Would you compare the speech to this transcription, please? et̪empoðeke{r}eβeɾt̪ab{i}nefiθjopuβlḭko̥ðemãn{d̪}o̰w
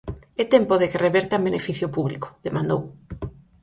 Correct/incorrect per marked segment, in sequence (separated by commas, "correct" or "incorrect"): correct, incorrect, correct